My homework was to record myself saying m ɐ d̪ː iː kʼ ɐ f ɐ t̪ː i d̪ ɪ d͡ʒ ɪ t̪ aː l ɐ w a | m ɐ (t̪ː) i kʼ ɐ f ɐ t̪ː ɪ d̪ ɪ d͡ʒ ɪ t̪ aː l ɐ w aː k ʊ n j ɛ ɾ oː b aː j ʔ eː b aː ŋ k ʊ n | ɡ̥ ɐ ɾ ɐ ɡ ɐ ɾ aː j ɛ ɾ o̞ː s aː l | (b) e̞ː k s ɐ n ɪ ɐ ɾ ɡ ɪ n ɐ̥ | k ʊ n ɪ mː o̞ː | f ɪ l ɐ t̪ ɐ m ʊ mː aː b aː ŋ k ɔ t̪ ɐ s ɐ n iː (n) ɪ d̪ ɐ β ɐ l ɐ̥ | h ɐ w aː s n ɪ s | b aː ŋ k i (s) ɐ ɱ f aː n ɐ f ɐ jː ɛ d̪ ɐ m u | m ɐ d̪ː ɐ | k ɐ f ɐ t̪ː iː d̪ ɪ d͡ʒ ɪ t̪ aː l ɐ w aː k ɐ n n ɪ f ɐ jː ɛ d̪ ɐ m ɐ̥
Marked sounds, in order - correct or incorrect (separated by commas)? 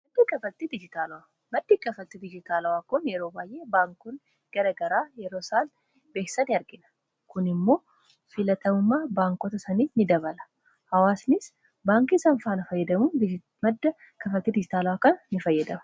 incorrect, correct, correct, correct